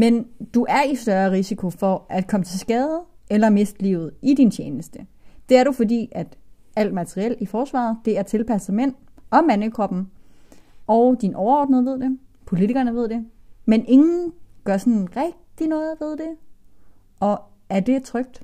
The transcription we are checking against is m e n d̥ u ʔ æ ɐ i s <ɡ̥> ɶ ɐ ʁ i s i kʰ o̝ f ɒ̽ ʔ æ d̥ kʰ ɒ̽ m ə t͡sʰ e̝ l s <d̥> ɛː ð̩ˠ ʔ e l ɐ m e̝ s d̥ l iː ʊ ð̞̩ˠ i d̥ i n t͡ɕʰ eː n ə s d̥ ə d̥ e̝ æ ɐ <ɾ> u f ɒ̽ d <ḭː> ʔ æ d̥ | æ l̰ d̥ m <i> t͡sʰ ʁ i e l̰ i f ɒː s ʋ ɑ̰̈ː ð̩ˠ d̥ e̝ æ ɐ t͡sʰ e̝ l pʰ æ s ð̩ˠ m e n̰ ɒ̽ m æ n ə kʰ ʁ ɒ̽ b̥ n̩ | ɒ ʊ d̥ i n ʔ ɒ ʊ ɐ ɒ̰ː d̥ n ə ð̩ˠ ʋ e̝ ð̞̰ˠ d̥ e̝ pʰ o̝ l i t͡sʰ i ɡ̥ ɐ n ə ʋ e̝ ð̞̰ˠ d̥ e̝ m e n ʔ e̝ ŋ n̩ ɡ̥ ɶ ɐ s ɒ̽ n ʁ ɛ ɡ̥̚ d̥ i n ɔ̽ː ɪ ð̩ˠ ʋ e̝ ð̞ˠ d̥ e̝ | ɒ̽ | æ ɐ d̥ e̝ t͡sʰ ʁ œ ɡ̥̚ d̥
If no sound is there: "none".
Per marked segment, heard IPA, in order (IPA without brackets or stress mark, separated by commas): d̥, ɡ̥, ɾ, ḭː, æ